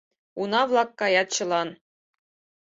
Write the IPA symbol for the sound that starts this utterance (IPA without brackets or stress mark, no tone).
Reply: u